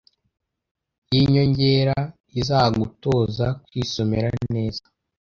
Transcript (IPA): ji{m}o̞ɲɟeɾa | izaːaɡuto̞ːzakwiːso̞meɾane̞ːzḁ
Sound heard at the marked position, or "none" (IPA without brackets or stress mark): ɲ